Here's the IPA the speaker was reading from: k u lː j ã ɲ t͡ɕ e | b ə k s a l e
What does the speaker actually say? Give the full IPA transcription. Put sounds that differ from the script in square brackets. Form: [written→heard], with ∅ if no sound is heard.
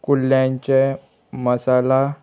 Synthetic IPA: k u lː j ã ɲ t͡ɕ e | [b→m] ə [k→∅] s a l [e→a]